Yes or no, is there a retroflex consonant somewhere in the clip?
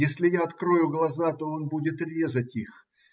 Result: no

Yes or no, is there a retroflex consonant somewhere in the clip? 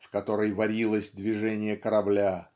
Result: yes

